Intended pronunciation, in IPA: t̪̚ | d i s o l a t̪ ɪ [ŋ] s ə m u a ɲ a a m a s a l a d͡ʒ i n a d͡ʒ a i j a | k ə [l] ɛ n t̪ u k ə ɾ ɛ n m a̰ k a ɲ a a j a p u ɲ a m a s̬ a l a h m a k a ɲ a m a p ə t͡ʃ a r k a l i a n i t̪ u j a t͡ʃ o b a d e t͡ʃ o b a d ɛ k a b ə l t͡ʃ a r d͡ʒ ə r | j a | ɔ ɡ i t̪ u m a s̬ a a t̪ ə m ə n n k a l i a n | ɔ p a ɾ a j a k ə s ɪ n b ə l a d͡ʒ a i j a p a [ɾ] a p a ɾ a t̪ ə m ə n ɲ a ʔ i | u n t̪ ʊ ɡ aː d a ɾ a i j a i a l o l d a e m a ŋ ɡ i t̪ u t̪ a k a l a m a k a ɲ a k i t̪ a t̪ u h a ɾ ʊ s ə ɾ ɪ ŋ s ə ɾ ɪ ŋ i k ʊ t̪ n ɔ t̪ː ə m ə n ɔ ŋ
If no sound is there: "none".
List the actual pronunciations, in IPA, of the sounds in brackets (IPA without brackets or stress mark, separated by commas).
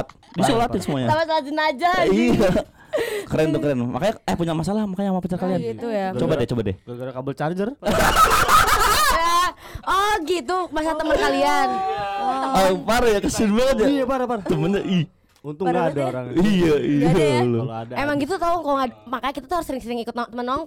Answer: n, ɾ, ɾ